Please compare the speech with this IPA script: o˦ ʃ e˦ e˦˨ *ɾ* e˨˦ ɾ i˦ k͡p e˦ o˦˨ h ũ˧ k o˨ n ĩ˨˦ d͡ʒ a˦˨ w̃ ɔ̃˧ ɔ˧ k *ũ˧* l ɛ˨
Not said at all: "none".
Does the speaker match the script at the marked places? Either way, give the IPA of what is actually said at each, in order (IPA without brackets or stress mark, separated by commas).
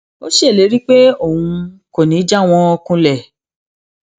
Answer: l, ũ˧